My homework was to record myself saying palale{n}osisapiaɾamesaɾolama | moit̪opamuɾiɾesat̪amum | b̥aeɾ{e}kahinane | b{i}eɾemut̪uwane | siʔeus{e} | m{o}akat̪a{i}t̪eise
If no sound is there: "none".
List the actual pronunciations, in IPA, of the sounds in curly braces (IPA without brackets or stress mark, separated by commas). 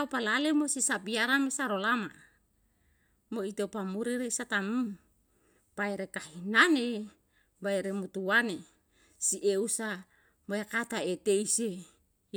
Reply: m, e, a, a, o, e